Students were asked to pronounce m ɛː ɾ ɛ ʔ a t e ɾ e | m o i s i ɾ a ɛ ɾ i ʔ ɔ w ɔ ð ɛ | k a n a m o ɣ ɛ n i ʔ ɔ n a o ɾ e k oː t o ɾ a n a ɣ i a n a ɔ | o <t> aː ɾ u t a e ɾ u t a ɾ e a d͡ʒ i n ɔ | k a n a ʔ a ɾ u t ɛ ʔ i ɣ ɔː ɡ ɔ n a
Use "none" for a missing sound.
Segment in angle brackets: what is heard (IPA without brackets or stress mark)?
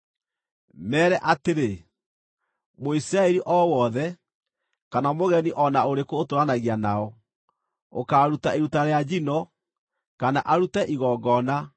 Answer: k